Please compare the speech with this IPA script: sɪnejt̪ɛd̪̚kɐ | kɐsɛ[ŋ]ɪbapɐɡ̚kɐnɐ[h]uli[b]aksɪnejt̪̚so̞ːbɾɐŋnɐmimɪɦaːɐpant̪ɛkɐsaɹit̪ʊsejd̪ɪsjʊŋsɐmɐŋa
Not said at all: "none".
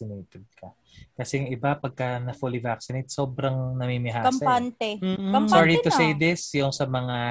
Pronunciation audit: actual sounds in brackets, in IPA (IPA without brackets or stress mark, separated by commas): ŋ, f, v